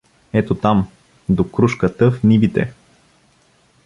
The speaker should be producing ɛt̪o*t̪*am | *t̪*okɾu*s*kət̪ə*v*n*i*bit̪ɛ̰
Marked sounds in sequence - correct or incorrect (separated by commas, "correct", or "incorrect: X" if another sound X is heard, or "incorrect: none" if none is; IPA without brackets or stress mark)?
correct, incorrect: d̪, incorrect: ʃ, incorrect: f, correct